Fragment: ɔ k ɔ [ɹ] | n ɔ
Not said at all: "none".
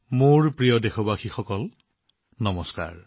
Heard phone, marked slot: l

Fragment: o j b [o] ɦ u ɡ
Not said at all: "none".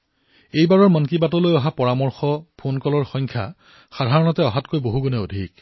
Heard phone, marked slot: o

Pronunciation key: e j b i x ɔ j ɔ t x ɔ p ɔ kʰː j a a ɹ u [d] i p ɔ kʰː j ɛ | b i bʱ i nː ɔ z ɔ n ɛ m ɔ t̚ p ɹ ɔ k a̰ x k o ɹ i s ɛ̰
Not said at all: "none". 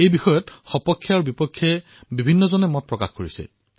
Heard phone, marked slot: b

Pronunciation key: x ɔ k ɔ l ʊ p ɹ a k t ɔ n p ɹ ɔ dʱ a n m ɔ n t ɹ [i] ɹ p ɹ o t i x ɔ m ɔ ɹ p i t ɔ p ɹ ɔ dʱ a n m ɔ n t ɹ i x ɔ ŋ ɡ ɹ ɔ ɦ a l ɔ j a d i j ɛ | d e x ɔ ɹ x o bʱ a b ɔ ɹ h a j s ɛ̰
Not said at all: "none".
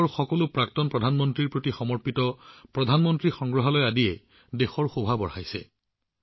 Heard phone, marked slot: i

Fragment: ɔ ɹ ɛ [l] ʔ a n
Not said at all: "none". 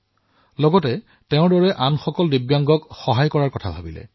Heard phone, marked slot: none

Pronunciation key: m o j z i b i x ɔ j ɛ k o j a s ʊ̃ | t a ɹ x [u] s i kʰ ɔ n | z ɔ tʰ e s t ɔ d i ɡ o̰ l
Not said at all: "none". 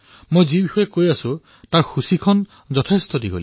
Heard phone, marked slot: u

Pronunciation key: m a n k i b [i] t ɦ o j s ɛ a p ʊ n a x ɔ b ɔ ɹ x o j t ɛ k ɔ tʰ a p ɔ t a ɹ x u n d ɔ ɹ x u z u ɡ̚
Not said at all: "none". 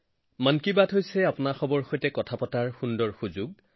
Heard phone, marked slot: a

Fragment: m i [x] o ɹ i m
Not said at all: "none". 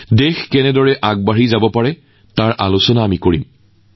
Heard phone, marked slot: k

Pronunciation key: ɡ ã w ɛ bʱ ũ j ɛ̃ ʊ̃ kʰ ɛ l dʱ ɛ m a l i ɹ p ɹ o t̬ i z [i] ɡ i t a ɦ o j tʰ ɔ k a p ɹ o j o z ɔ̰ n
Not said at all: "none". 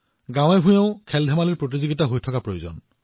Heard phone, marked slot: i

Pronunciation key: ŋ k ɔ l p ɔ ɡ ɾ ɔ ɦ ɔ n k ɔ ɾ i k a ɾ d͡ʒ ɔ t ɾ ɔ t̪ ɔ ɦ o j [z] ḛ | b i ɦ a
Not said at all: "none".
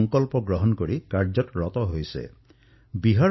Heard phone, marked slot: s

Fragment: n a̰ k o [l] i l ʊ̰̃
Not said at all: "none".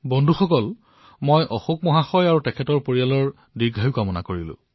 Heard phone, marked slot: ɹ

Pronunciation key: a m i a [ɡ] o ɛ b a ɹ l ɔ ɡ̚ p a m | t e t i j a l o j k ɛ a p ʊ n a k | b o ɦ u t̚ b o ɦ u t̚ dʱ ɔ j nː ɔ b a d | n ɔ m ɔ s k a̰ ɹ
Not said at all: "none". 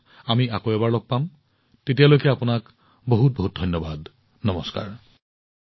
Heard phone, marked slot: k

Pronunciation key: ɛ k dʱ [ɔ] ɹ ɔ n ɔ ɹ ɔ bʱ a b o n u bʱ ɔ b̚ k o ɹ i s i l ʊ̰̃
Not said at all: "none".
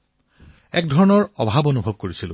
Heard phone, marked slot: ɔ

